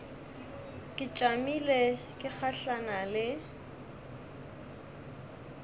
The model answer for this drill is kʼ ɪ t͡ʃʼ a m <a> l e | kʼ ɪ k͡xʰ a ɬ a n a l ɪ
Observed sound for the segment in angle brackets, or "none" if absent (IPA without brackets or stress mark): i